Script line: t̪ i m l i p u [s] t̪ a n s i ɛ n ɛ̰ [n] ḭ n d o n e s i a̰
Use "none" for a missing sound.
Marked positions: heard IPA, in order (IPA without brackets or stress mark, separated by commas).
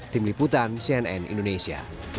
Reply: none, n